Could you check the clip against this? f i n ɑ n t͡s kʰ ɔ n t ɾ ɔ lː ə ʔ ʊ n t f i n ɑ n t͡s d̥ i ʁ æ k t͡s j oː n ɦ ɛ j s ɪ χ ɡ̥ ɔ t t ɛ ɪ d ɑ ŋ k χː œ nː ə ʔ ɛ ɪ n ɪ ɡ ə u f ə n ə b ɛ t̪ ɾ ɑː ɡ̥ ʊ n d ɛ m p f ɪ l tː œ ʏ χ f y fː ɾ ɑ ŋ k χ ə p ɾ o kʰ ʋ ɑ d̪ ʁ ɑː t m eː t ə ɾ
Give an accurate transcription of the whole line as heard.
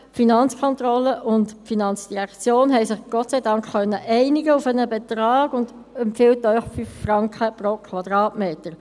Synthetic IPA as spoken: f i n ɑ n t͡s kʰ ɔ n t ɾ ɔ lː ə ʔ ʊ n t f i n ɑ n t͡s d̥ i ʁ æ k t͡s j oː n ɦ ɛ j s ɪ χ ɡ̥ ɔ t t͡s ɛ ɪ d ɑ ŋ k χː œ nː ə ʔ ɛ ɪ n ɪ ɡ ə u f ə n ə b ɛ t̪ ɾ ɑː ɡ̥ ʊ n d ɛ m p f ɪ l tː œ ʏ χ f y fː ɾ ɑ ŋ k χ ə p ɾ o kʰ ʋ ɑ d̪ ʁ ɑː t m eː t ə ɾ